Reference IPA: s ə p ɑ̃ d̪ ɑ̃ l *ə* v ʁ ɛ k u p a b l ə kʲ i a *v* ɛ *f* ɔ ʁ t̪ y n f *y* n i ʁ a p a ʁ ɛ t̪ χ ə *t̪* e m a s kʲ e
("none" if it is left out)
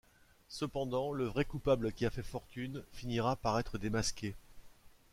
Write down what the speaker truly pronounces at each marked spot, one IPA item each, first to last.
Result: ə, f, f, i, d̪

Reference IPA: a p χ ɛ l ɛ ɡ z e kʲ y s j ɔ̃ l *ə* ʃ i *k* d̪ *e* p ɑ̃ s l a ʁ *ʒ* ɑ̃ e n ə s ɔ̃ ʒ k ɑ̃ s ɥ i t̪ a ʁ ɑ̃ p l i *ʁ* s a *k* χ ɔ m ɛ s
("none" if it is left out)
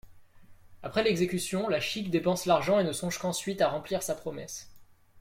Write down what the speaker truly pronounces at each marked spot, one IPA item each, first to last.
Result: a, k, e, ʒ, ʁ, p

